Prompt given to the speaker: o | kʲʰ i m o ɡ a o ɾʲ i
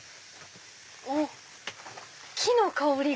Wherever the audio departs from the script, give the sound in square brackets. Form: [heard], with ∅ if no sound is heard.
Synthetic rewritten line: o | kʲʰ i [n] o [k] a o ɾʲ i